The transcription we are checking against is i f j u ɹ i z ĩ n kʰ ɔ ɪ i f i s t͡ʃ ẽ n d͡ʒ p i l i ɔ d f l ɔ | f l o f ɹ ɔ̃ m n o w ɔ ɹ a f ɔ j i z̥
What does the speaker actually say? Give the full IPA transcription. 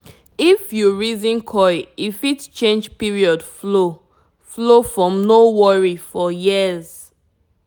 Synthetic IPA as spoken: i f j u ɹ i z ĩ n kʰ ɔ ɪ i f i t t͡ʃ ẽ n d͡ʒ p i ɹ i ɔ d f l o | f l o f ɹ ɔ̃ m n o w ɔ ɹ i f ɔ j i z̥

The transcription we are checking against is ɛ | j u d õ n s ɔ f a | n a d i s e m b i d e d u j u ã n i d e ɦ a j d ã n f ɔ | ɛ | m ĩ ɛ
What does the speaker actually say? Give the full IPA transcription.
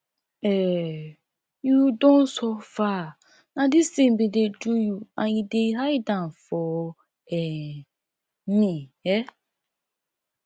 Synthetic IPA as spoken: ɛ | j u d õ n s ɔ f a | n a d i s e m b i d e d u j u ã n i d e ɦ a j d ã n f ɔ | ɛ | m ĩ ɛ

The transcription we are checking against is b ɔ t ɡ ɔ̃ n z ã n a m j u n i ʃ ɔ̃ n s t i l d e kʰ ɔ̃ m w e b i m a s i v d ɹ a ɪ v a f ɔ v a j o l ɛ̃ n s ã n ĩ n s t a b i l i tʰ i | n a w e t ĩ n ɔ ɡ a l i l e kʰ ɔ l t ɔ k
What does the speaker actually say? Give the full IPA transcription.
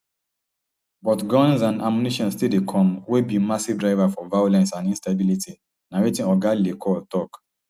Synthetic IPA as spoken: b ɔ t ɡ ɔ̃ n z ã n a m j u n i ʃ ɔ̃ n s t i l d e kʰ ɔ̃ m w e b i m a s i v d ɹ a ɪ v a f ɔ v a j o l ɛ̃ n s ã n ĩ n s t a b i l i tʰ i | n a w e t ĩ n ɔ ɡ a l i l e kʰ ɔ l t ɔ k

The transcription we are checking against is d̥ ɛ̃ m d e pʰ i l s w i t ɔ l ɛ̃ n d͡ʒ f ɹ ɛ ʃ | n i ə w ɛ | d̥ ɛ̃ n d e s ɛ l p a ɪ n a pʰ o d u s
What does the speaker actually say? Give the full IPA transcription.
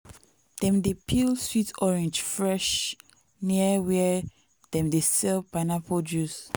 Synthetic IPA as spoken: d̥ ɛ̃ m d e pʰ i l s w i t ɔ ɹ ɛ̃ n d͡ʒ f ɹ ɛ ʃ | n i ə w ɛ | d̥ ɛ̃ m d e s ɛ l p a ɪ n a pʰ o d u s

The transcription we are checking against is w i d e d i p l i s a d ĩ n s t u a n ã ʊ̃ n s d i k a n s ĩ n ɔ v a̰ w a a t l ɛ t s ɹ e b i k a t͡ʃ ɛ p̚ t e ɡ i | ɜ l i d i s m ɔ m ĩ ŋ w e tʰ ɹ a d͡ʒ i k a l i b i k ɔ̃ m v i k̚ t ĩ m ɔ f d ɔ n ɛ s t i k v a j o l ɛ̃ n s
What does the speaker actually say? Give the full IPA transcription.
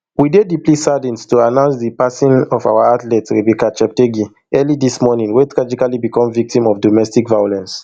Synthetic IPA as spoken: w i d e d i p l i s a d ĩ n s t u a n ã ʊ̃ n s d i p a s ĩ n ɔ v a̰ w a a t l ɛ t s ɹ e b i k a t͡ʃ ɛ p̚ t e ɡ i | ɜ l i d i s m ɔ n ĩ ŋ w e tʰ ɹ a d͡ʒ i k a l i b i k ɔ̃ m v i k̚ t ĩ m ɔ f d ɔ m ɛ s t i k v a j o l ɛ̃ n s

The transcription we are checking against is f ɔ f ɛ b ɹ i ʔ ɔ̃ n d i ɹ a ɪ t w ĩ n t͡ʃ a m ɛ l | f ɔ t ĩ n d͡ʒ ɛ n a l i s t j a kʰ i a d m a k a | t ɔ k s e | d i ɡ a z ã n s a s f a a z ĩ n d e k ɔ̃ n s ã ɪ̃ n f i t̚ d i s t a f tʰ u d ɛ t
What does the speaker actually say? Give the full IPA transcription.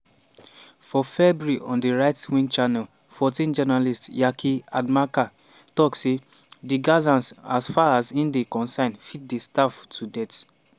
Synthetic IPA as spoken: f ɔ f ɛ b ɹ i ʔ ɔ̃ n d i ɹ a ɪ t w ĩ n t͡ʃ a n ɛ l | f ɔ t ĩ n d͡ʒ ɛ n a l i s t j a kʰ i a d m a k a | t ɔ k s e | d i ɡ a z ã n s a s f a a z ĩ n d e k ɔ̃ n s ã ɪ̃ n f i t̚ d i s t a f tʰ u d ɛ t

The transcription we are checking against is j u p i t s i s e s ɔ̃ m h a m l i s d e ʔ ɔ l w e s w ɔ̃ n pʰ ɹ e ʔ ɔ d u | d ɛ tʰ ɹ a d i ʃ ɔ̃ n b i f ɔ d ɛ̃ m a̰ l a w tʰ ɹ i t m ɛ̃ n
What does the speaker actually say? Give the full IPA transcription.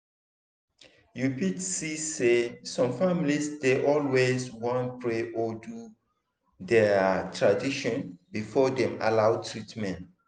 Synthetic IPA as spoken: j u p i t s i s e s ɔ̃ m f a m l i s d e ʔ ɔ l w e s w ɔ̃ n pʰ ɹ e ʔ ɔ d u | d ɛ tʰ ɹ a d i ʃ ɔ̃ n b i f ɔ d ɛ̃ m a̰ l a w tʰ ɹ i t m ɛ̃ n

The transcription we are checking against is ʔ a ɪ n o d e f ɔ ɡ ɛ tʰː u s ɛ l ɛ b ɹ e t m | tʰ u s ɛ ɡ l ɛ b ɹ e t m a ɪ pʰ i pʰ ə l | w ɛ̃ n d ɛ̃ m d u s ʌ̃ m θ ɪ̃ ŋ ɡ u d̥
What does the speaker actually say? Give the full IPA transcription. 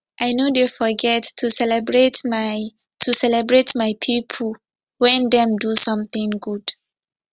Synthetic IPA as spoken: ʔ a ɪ n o d e f ɔ ɡ ɛ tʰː u s ɛ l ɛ b ɹ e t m | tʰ u s ɛ l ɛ b ɹ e t m a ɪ pʰ i pʰ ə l | w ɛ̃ n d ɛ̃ m d u s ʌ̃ m θ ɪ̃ ŋ ɡ u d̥

